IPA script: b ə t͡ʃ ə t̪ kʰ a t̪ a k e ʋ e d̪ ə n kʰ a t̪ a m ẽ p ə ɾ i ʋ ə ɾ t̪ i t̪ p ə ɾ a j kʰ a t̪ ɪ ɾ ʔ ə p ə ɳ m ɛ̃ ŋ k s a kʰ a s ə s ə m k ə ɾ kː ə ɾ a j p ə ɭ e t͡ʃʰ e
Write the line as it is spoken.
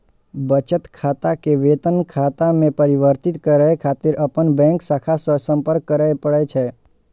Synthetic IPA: b ə t͡ʃ ə t̪ kʰ a t̪ a k e ʋ e t̪ ə n kʰ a t̪ a m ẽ p ə ɾ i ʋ ə ɾ t̪ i t̪ k ə ɾ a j kʰ a t̪ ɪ ɾ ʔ ə p ə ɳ b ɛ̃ ŋ k s a kʰ a s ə s ə m p ə ɾ kː ə ɾ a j p ə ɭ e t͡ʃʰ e

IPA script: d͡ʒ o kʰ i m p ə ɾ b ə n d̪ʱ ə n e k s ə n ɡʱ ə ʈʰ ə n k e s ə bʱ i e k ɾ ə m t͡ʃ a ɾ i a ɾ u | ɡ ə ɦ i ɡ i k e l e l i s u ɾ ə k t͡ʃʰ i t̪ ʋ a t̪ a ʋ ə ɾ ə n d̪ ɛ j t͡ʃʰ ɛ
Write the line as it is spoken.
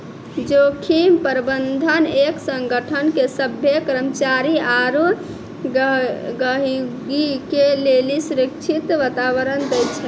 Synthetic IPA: d͡ʒ o kʰ i m p ə ɾ b ə n d̪ʱ ə n e k s ə ŋ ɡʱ ə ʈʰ ə n k e s ə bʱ j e k ɾ ə m t͡ʃ a ɾ i a ɾ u | ɡ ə ɦ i ɡ i k e l e l i s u ɾ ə k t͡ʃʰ i t̪ ʋ a t̪ a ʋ ə ɾ ə n d̪ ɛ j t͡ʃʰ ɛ

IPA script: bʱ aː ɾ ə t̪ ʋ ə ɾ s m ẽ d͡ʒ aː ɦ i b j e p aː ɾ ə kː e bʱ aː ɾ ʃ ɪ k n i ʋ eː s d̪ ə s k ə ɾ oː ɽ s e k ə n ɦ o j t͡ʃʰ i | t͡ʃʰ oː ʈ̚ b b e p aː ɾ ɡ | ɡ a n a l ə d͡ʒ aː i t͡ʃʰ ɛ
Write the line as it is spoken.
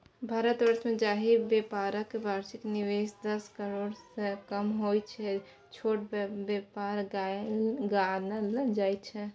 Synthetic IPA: bʱ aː ɾ ə t̪ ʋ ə ɾ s m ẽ d͡ʒ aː ɦ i b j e p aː ɾ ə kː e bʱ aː ɾ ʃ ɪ k n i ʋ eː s d̪ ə s k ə ɾ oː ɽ s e k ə m ɦ o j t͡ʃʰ ɛ | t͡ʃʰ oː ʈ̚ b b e p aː ɾ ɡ | ɡ a n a l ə d͡ʒ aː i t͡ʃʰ ɛ

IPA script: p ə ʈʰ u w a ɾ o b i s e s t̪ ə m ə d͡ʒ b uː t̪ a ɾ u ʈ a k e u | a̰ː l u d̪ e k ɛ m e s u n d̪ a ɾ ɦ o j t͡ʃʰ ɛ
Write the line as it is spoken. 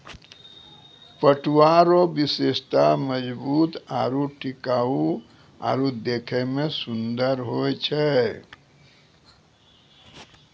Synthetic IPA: p ə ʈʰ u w a ɾ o b i s e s t̪ a m ə d͡ʒ b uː t̪ a ɾ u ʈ i k a u | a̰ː ɾ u d̪ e kʰ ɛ m e s u n d̪ ə ɾ ɦ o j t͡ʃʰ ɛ

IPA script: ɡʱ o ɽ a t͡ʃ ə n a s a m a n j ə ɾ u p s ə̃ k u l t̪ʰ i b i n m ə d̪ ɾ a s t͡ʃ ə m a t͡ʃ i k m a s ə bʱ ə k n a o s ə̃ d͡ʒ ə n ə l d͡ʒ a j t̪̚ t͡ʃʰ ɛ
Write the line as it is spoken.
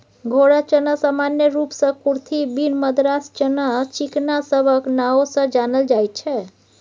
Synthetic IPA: ɡʱ o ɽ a t͡ʃ ə n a s a m a n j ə ɾ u p s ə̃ k u ɾ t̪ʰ i b i n m ə d̪ ɾ a s t͡ʃ ə n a t͡ʃ i k n a s ə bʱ ə k n a o s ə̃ d͡ʒ a n ə l d͡ʒ a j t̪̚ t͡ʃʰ ɛ

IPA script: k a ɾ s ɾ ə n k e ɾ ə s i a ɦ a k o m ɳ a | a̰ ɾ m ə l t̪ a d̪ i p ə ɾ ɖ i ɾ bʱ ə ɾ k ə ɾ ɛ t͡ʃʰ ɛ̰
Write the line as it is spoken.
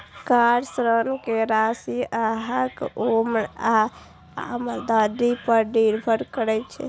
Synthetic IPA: k a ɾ s ɾ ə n k e ɾ a s i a ɦ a k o m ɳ a | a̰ m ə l d̪ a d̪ i p ə ɾ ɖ i ɾ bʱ ə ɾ k ə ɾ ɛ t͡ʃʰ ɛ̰

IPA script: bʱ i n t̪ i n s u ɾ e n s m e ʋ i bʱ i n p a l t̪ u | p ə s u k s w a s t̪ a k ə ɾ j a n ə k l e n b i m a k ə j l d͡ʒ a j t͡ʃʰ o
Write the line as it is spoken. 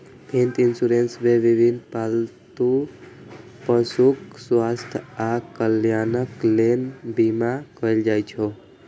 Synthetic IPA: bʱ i n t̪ i n s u ɾ e n s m e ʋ i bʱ i n p a l t̪ u | p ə s u k s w a s t̪ʰ a k ə l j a n ə k l e n b i m a k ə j l d͡ʒ a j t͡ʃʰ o

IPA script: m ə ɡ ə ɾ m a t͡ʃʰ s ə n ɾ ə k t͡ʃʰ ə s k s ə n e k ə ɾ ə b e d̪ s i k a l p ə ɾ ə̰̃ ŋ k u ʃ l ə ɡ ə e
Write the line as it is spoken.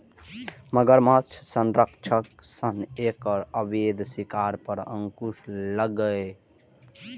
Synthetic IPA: m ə ɡ ə ɾ m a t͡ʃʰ s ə n ɾ ə k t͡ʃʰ ə k s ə n e k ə ɾ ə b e d̪ s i k a ɾ p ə ɾ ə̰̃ ŋ k u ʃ l ə ɡ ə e

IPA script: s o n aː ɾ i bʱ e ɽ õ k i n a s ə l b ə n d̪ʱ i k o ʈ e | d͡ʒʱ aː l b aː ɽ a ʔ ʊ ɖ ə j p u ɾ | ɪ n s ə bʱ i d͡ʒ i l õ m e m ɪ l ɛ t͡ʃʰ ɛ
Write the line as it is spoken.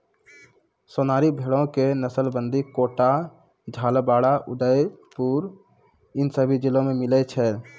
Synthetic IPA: s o n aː ɾ i bʱ e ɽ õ k e n ə s ə l b ə n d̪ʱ i k o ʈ a | d͡ʒʱ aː l b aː ɽ a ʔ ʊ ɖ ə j p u ɾ | ɪ n s ə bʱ i d͡ʒ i l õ m e m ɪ l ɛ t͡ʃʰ ɛ

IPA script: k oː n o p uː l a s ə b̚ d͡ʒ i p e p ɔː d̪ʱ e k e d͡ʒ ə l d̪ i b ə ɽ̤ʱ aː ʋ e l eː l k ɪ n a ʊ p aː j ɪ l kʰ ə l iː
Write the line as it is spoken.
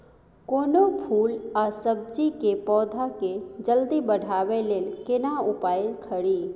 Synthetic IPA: k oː n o pʰ uː l a s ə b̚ d͡ʒ i k e p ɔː d̪ʱ a k e d͡ʒ ə l d̪ i b ə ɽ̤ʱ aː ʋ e l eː l k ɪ n a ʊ p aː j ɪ l kʰ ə ɽ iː

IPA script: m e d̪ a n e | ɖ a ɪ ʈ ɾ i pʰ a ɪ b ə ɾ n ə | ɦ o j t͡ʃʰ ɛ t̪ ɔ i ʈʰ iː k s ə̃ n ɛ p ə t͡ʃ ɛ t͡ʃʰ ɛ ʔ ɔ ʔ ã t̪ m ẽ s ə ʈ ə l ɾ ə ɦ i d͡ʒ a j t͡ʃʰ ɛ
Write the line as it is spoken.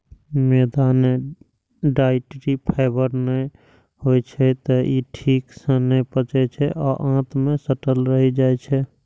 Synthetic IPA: m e d̪ a n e | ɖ a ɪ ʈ ɾ i pʰ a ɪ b ə ɾ n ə | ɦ o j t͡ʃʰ ɛ t̪ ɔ i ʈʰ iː k s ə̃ n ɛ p ə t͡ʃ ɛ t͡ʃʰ ɛ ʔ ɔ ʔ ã t̪ m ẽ s ə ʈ ə l ɾ ə ɦ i d͡ʒ a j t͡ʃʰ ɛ

